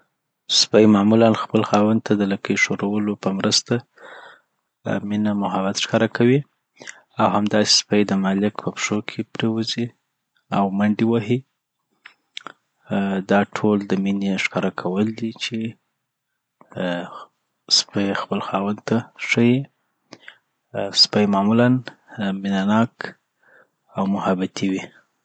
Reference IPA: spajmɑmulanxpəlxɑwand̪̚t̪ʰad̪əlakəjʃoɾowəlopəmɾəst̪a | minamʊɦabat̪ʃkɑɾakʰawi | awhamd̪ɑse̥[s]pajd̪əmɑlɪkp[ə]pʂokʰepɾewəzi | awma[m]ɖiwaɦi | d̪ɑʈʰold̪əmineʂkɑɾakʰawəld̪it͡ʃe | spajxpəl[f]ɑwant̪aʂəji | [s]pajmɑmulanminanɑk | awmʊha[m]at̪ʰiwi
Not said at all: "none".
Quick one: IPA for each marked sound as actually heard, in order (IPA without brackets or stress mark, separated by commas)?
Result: s, ə, ɳ, x, s, b